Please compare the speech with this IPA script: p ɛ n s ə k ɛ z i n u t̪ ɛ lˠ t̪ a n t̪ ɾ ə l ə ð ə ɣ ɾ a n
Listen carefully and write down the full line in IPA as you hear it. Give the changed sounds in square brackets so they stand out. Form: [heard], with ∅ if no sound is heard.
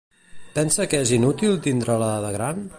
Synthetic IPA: p ɛ n s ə k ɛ z i n u t̪ [i] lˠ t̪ [i] n [d̪] ɾ ə l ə ð ə ɣ ɾ a n